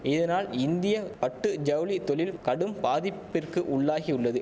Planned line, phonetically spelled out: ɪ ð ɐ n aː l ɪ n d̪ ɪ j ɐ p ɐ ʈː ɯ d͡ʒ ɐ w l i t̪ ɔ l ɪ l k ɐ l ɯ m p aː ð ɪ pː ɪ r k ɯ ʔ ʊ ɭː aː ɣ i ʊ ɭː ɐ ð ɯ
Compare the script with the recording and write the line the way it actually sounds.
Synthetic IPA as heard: ɪ ð ɐ n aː l ɪ n d̪ ɪ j ɐ p ɐ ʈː ɯ d͡ʒ ɐ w l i t̪ ɔ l ɪ l k ɐ ɽ ɯ m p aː ð ɪ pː ɪ r k ɯ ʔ ʊ ɭː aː ɣ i ʊ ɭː ɐ ð ɯ